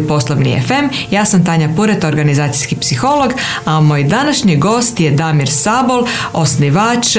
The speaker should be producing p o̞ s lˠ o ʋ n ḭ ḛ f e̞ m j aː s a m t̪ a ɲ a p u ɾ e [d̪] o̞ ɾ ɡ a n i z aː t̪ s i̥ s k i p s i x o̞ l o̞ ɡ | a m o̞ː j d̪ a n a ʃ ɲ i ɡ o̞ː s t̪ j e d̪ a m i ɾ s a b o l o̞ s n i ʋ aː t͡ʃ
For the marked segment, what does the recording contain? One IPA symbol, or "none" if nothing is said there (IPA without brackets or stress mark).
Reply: t̪